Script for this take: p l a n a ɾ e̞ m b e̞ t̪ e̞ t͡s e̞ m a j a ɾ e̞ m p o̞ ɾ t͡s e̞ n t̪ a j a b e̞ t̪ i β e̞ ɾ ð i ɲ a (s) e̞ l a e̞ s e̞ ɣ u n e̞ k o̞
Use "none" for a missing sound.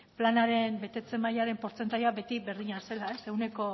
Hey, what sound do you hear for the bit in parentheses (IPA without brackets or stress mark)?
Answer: s